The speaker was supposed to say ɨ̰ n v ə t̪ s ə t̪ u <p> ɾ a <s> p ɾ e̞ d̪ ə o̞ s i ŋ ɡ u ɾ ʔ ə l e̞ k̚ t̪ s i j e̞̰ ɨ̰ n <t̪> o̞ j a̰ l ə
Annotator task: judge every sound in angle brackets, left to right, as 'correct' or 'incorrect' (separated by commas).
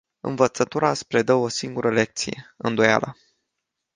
incorrect, correct, incorrect